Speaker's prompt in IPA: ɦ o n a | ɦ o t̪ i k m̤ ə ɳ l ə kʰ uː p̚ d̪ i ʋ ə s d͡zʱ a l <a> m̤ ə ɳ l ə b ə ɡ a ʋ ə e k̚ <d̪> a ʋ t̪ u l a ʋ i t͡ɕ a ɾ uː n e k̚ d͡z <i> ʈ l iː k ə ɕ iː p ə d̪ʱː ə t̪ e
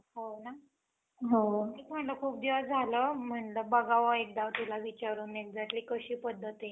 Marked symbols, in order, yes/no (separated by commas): no, yes, no